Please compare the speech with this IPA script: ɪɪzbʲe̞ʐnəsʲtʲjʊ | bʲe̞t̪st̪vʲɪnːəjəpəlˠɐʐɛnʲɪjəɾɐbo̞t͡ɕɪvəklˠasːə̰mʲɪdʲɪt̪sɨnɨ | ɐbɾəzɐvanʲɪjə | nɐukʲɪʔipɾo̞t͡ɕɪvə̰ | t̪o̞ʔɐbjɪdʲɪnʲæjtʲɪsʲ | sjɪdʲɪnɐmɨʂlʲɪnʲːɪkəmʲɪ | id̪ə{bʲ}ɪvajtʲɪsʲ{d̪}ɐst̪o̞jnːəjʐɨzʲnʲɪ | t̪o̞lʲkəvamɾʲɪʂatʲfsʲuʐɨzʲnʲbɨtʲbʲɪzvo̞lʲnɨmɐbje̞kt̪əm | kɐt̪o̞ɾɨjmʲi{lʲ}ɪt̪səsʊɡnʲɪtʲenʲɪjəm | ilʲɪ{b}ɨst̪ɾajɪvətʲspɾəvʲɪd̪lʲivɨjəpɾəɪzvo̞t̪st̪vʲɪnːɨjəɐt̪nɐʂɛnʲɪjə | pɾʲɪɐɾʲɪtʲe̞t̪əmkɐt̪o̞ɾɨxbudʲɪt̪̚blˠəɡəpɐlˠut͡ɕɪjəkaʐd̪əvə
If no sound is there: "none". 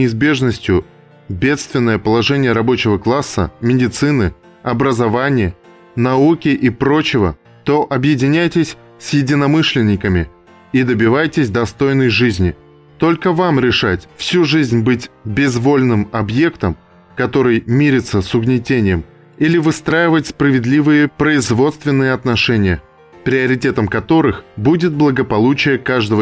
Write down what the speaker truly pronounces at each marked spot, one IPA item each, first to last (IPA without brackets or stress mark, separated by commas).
bʲ, d̪, ɾʲ, v